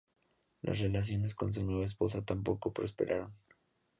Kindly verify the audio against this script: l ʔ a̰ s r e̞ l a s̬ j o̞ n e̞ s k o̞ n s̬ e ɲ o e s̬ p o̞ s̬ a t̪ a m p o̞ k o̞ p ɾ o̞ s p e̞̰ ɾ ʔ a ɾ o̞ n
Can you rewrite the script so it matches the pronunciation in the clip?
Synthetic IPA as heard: l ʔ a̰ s r e̞ l a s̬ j o̞ n e̞ s k o̞ n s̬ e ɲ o e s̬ p o̞ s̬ a t̪ a m p o̞ k o̞ p ɾ o̞ s p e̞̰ ɾ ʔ a ɾ o̞ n